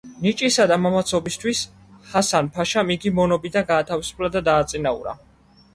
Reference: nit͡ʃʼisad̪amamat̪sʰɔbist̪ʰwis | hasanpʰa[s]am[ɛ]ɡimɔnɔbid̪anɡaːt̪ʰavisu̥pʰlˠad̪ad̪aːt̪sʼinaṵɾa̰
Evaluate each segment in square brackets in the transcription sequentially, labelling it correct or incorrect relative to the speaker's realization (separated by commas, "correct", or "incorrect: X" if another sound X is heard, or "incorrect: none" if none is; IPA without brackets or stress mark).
incorrect: ʃ, incorrect: i